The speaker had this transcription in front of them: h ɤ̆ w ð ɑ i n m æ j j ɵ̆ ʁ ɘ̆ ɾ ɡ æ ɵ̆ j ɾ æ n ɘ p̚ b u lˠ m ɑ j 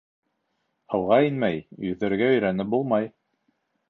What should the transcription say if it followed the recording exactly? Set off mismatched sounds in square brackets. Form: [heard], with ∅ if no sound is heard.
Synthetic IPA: h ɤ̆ w [ʁ] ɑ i n m æ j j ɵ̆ [ð] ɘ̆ ɾ ɡ æ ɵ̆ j ɾ æ n ɘ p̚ b u lˠ m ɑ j

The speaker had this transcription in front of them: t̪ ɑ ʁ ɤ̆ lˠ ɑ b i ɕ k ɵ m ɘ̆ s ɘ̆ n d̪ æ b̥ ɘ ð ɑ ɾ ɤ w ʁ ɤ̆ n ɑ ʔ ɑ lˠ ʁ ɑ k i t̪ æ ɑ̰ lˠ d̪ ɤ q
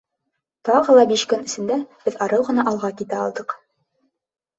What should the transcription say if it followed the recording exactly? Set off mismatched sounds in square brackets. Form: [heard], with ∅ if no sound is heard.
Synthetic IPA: t̪ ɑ ʁ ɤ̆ lˠ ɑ b i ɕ k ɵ [n] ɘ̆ s ɘ̆ n d̪ æ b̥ ɘ ð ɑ ɾ ɤ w ʁ ɤ̆ n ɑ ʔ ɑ lˠ ʁ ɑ k i t̪ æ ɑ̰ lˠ d̪ ɤ q

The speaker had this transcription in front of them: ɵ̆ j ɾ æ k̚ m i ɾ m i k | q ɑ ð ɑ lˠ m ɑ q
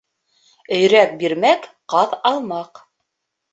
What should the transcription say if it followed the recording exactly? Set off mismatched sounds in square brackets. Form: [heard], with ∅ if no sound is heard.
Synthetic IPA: ɵ̆ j ɾ æ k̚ [b] i ɾ m [æ] k | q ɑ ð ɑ lˠ m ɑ q

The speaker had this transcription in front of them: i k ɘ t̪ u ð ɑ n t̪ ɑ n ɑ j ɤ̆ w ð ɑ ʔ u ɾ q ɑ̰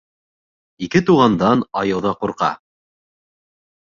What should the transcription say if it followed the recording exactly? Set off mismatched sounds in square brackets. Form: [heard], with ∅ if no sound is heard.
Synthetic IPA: i k ɘ t̪ u [ʁ] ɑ n [d̪] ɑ n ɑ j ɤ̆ w ð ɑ [q] u ɾ q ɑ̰

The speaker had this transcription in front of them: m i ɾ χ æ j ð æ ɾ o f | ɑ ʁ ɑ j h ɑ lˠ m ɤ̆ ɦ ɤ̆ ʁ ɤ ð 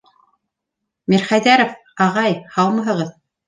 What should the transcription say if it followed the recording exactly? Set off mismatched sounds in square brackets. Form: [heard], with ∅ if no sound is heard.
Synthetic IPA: m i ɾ χ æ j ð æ ɾ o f | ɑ ʁ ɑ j h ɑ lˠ m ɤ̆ ɦ ɤ̆ ʁ ɤ ð

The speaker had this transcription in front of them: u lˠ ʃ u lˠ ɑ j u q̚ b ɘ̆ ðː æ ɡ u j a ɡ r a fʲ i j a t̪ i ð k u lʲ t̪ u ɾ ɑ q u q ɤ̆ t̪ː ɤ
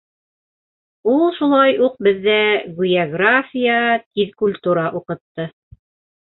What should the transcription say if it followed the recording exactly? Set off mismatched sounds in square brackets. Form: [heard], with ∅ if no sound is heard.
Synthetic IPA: u lˠ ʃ u lˠ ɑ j u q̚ b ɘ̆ ðː æ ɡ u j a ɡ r a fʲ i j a t̪ i ð k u lʲ t̪ u ɾ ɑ [ʔ] u q ɤ̆ t̪ː ɤ

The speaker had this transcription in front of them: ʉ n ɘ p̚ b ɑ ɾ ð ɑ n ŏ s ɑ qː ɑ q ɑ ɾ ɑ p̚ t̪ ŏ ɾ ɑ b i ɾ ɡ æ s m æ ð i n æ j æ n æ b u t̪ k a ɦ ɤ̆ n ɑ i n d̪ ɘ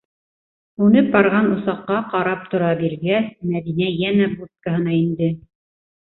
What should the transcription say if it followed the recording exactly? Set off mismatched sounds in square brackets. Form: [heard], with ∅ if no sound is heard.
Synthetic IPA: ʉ n ɘ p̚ b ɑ ɾ [ʁ] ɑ n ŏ s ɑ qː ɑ q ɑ ɾ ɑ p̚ t̪ ŏ ɾ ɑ b i ɾ ɡ æ s m æ ð i n æ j æ n æ b u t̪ k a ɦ ɤ̆ n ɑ i n d̪ ɘ

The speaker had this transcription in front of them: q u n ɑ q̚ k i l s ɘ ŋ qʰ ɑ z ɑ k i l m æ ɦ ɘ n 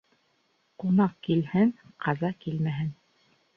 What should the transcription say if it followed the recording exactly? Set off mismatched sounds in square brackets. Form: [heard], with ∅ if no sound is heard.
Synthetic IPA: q u n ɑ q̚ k i l [h] ɘ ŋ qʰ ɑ z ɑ k i l m æ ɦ ɘ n

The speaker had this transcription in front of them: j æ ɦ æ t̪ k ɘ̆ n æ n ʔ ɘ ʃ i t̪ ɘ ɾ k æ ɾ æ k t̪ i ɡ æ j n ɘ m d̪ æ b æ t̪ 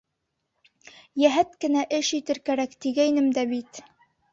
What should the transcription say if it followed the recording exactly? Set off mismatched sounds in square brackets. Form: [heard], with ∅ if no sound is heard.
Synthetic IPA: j æ ɦ æ t̪ k ɘ̆ n æ [∅] ʔ ɘ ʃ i t̪ ɘ ɾ k æ ɾ æ k t̪ i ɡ æ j n ɘ m d̪ æ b [i] t̪

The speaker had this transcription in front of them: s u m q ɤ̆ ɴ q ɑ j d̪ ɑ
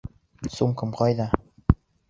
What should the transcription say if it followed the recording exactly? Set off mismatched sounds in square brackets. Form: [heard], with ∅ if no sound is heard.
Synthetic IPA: s u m [k] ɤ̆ [m] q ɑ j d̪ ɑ

